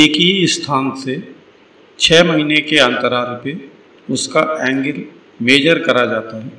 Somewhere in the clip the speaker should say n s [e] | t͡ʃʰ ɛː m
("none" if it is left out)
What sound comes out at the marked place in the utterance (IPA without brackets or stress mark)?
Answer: e